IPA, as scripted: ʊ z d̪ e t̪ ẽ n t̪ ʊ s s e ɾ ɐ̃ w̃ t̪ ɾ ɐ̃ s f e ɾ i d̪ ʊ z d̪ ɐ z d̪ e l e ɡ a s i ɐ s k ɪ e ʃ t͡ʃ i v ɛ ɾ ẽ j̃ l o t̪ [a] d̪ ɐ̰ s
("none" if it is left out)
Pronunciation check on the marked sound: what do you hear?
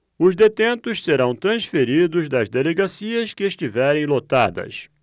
a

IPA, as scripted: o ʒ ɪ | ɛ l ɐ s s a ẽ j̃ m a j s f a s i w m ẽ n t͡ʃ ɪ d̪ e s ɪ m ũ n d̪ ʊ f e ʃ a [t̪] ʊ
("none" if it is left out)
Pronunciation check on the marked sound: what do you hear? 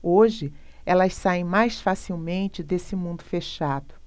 d̪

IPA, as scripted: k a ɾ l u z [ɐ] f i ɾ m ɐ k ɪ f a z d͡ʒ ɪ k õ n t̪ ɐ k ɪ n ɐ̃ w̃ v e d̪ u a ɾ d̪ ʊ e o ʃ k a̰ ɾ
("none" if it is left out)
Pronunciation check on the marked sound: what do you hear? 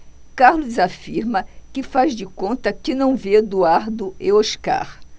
a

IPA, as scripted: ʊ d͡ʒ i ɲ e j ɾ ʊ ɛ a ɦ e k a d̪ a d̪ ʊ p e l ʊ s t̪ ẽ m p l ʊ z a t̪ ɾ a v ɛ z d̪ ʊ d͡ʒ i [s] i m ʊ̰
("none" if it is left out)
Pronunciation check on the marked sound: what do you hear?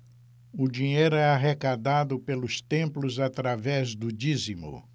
z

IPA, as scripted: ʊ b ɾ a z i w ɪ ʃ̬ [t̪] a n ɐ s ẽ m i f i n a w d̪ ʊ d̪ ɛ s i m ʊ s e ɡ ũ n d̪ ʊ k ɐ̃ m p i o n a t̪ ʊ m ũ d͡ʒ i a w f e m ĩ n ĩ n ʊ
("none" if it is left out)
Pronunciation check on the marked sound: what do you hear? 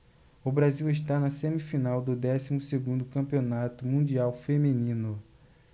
t̪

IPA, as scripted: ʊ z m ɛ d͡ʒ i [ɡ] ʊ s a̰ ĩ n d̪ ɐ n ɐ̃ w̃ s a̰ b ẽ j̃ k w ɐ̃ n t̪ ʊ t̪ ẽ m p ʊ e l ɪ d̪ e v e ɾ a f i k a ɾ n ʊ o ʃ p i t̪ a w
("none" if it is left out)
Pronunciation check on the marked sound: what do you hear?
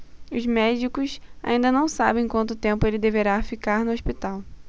k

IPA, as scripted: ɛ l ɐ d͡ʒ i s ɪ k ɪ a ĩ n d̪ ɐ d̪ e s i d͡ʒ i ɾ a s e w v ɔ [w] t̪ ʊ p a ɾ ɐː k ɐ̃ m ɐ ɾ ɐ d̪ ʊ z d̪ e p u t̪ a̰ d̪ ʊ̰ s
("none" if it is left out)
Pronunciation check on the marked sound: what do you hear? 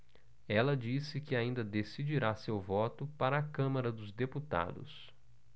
none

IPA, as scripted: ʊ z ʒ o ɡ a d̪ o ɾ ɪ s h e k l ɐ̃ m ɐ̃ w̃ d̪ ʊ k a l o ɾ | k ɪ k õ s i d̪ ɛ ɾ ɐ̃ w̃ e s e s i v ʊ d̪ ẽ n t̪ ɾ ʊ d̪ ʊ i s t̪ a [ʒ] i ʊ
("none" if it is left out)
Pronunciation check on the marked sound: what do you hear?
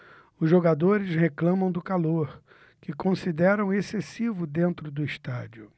d͡ʒ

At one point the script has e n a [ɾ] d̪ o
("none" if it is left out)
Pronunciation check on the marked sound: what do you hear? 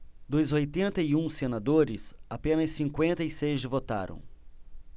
none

